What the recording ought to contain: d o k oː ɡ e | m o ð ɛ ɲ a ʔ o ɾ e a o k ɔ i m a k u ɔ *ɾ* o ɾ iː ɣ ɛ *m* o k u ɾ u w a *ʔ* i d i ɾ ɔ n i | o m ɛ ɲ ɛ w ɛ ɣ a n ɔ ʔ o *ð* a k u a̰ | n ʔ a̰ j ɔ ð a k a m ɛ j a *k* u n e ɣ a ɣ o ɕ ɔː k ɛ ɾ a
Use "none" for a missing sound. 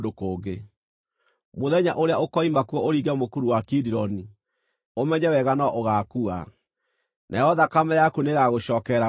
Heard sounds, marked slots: none, m, k, ɣ, k

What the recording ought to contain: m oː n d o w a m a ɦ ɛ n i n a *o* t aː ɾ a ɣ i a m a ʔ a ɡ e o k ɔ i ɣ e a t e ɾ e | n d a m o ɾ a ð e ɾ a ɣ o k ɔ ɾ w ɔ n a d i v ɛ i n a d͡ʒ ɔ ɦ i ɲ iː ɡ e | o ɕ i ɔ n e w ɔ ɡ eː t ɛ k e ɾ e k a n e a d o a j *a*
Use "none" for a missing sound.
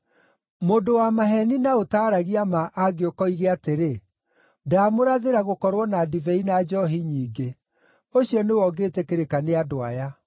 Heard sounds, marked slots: o, a

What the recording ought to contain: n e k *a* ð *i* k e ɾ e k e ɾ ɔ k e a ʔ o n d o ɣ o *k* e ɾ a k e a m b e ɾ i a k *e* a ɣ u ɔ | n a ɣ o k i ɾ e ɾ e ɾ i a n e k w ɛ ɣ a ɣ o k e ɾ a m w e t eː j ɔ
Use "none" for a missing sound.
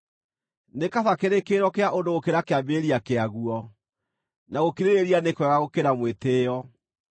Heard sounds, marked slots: a, a, k, e

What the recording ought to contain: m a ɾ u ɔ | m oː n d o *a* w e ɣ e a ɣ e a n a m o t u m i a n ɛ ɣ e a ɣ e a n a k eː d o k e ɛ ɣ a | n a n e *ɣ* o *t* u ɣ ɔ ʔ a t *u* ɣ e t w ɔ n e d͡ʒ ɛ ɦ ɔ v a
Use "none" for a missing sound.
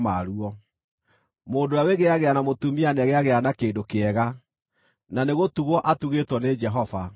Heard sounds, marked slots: a, ɣ, t, u

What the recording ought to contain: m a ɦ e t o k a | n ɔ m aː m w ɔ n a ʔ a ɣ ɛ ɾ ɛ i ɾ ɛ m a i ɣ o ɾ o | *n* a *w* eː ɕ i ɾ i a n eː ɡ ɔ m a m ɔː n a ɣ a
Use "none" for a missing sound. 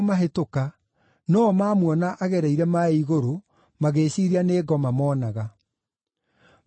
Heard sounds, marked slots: m, ɣ

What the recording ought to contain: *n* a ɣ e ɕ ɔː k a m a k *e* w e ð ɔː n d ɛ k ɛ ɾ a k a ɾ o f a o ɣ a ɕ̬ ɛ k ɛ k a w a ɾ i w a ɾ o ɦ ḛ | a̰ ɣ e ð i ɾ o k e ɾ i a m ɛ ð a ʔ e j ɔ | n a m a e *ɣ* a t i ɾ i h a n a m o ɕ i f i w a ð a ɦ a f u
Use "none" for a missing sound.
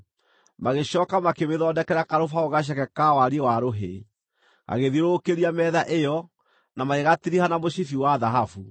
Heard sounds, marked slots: m, e, ɣ

